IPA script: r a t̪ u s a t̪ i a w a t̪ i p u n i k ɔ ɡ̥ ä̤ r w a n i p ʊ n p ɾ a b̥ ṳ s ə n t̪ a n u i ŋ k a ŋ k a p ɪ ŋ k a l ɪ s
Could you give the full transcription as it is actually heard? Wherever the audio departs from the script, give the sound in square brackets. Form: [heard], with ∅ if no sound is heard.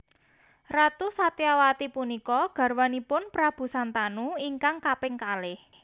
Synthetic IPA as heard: r a t̪ u s a t̪ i a w a t̪ i p u n i k ɔ ɡ̥ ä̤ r w a n i p ʊ n p ɾ a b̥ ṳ s [a] n t̪ a n u i ŋ k a ŋ k a p ɪ ŋ k a l ɪ [h]